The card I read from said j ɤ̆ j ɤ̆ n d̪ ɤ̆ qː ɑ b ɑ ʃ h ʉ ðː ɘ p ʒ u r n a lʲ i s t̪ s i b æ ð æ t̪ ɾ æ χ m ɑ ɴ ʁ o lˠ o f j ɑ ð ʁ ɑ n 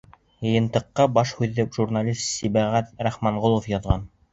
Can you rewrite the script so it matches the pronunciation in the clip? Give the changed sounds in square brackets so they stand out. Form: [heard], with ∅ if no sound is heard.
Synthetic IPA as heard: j ɤ̆ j ɤ̆ n [t̪] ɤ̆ qː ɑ b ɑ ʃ h ʉ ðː ɘ p ʒ u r n a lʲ i s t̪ s i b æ [ʁ] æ t̪ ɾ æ χ m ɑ ɴ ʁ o lˠ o f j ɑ ð ʁ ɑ n